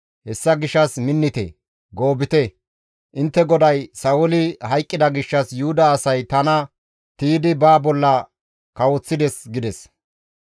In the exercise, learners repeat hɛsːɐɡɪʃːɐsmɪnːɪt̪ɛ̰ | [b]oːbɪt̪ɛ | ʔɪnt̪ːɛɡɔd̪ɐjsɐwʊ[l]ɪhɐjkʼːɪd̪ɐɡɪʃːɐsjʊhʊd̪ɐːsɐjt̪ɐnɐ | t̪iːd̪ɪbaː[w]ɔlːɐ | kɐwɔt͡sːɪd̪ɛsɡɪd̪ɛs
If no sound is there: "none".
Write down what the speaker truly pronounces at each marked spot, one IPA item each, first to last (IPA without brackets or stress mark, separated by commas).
ɡ, l, b